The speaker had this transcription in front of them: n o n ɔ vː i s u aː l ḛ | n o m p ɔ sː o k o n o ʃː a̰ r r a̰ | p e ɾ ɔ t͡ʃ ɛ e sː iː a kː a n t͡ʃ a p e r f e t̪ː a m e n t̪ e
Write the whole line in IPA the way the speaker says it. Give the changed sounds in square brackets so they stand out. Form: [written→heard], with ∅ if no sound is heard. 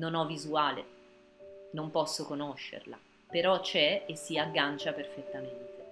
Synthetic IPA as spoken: n o n ɔ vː i [s→z] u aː l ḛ | n o m p ɔ sː o k o n o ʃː [a̰→ḛ] r [r→l] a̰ | p e ɾ ɔ t͡ʃ ɛ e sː [iː→i] a [kː→ɡː] a n t͡ʃ a p e r f e t̪ː a m e n t̪ e